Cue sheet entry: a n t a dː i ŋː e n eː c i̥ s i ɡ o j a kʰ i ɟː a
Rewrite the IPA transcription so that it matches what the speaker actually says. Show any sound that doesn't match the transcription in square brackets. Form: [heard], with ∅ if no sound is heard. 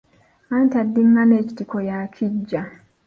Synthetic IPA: a n t a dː i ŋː [a] n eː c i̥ [t] i [k] o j a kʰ i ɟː a